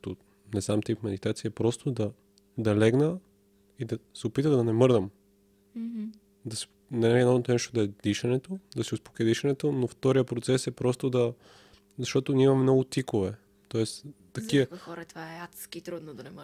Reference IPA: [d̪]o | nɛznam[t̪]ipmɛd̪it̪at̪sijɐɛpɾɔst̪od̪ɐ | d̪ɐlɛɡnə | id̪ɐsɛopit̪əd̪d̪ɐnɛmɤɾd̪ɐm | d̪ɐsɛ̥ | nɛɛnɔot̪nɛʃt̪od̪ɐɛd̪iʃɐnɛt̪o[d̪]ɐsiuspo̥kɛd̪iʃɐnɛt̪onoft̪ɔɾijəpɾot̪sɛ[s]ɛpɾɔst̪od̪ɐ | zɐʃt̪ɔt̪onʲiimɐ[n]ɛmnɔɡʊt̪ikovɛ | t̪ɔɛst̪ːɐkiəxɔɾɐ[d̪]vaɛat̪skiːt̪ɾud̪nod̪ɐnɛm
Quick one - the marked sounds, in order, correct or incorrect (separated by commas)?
incorrect, correct, correct, correct, incorrect, incorrect